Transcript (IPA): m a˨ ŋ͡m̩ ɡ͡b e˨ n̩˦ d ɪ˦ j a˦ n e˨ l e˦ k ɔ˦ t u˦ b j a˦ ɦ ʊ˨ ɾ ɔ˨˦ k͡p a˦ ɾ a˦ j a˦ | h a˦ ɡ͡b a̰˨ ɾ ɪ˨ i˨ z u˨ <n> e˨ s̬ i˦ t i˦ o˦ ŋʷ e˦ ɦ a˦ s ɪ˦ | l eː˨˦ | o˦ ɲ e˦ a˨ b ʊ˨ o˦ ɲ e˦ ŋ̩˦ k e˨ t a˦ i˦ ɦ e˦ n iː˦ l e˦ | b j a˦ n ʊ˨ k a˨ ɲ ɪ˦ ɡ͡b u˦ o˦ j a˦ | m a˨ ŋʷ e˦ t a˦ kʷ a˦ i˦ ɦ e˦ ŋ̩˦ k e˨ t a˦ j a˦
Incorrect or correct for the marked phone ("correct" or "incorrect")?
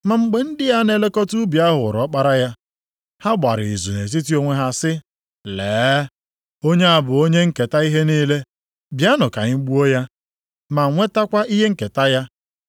correct